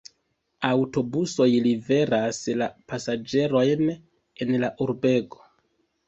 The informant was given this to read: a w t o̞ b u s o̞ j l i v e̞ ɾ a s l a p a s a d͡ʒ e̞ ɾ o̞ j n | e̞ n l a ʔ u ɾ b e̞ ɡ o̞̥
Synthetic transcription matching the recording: a w t o̞ b u s o̞ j l i v e̞ ɾ a s l a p a s a d͡ʒ e̞ ɾ o̞ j n | e̞ n l a ʔ u ɾ b e̞ ɡ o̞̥